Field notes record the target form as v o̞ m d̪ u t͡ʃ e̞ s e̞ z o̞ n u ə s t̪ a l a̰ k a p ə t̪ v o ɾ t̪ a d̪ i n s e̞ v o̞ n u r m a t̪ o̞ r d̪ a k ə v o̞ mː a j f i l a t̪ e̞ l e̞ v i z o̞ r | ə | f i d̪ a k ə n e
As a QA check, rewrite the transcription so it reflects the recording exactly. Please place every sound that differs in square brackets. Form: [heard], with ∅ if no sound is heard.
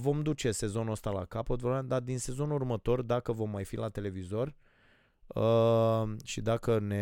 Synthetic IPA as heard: v o̞ m d̪ u t͡ʃ e̞ s e̞ z o̞ n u ə s t̪ a l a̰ k a p ə t̪ v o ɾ [d̪] a d̪ i n s e̞ [z] o̞ n u r m [ə] t̪ o̞ r d̪ a k ə v o̞ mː a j f i l a t̪ e̞ l e̞ v i z o̞ r | ə | [ʃ] i d̪ a k ə n e